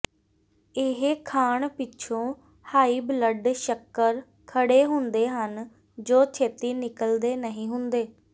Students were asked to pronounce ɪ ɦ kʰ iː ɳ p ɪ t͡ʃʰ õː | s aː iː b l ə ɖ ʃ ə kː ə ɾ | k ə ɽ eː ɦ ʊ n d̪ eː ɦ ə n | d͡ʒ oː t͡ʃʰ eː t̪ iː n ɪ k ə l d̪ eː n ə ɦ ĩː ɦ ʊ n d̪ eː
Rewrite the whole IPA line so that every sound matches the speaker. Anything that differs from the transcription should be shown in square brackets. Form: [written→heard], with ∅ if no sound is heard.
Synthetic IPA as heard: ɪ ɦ kʰ [iː→aː] ɳ p ɪ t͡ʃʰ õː | [s→h] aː iː b l ə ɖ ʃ ə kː ə ɾ | [k→kʰ] ə ɽ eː ɦ ʊ n d̪ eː ɦ ə n | d͡ʒ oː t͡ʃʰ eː t̪ iː n ɪ k ə l d̪ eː n ə ɦ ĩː ɦ ʊ n d̪ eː